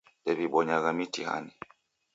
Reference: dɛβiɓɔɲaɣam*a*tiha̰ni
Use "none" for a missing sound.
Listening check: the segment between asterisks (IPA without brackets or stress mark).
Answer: i